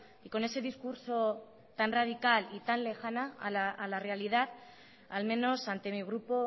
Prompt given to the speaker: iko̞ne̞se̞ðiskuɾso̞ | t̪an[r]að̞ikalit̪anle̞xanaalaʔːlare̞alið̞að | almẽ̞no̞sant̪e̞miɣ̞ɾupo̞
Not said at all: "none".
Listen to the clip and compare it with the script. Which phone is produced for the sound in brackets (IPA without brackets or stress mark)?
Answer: r